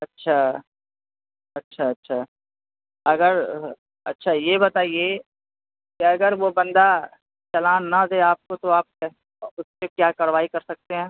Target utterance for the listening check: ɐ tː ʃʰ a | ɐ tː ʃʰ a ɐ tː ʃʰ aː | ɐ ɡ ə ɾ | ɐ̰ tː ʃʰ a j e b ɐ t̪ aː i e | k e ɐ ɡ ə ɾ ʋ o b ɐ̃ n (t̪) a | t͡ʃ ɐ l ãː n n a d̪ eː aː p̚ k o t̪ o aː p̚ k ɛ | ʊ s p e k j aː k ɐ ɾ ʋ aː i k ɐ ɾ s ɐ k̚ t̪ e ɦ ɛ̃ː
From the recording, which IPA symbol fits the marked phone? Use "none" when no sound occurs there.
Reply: d̪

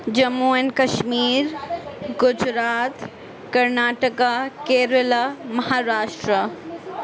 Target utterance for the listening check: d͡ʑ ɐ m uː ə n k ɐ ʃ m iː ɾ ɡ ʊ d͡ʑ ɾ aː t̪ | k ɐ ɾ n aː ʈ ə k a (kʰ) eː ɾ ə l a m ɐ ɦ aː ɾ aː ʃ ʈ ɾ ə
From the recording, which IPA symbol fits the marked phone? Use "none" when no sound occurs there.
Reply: k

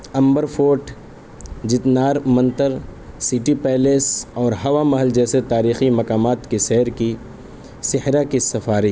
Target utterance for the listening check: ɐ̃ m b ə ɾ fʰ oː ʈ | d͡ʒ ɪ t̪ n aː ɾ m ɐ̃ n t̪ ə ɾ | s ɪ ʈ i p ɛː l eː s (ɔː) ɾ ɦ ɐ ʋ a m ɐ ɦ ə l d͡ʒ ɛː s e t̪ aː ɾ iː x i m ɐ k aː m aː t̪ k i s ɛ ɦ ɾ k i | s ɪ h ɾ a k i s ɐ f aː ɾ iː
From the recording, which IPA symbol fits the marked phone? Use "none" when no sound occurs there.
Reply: ɔː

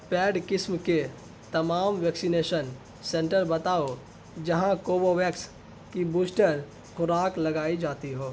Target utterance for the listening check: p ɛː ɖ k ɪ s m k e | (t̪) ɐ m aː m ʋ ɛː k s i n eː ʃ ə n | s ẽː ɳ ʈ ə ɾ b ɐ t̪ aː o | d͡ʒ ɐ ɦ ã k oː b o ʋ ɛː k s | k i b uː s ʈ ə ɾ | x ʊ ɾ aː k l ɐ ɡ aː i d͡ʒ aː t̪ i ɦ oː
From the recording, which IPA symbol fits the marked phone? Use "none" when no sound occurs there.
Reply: t̪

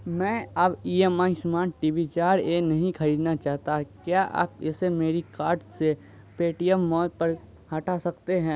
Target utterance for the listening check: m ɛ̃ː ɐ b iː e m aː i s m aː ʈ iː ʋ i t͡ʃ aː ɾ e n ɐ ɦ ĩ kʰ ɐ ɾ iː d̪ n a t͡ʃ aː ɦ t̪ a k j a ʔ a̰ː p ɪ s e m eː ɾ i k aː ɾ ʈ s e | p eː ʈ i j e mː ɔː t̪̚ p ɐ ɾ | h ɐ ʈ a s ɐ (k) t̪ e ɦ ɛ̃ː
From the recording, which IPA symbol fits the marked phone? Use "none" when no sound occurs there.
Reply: k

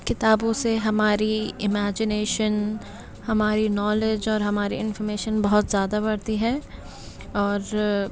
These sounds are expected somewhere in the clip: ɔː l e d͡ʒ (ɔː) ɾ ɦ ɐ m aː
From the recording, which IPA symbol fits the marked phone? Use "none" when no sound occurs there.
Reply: ɔː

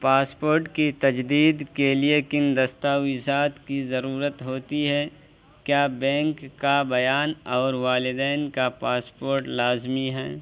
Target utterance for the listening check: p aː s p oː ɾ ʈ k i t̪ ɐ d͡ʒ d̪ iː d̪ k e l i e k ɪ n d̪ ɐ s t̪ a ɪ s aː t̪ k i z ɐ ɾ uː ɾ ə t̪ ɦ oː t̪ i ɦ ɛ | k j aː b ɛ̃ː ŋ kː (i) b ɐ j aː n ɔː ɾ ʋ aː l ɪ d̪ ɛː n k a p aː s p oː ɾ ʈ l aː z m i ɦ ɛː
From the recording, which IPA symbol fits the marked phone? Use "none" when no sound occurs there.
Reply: a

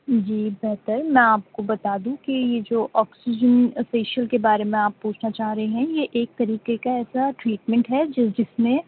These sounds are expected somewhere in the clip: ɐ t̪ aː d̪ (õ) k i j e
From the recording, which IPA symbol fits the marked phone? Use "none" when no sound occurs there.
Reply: ũ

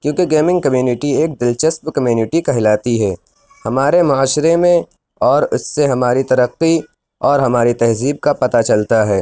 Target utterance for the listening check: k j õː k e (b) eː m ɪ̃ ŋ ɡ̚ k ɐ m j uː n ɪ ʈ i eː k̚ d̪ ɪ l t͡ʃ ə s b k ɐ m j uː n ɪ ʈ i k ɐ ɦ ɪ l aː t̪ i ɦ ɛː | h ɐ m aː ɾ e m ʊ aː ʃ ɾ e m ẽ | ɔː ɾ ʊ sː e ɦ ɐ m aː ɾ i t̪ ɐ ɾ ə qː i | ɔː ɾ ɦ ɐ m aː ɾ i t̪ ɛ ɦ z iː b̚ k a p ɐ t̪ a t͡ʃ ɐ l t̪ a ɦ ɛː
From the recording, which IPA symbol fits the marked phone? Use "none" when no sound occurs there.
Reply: ɡ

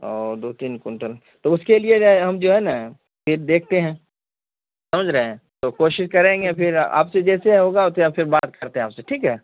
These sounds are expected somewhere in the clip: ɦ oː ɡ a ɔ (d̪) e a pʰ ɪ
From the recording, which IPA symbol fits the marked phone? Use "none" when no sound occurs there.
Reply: t̪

